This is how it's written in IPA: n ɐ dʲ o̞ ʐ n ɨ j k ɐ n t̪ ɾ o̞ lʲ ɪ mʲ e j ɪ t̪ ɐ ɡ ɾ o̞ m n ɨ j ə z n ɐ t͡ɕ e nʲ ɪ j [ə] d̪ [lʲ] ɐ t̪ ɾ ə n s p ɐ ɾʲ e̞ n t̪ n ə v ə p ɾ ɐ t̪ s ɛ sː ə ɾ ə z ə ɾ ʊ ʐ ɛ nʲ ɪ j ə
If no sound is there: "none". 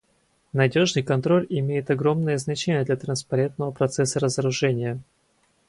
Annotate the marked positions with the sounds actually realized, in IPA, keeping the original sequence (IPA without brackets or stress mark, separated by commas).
ə, lʲ